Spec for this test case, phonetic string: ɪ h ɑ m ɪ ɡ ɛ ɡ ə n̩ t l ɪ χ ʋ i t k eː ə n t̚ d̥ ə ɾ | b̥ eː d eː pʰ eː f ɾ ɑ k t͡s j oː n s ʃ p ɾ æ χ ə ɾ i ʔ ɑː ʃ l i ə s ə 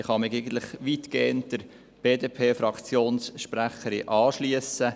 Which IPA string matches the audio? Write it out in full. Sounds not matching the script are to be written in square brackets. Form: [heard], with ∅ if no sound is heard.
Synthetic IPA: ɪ [χ] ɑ m ɪ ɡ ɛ ɡ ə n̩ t l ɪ χ ʋ i t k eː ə n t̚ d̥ ə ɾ | b̥ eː d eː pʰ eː f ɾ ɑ k t͡s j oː n s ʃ p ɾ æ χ ə ɾ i ʔ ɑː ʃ l i ə s ə